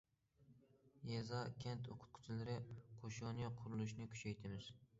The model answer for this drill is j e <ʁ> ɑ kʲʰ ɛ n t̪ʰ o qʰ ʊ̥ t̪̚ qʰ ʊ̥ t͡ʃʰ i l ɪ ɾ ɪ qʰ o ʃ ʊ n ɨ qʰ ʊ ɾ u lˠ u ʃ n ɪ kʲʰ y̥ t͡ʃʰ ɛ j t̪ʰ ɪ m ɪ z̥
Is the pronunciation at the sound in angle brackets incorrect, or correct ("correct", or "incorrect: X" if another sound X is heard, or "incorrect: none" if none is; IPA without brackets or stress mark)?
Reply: incorrect: z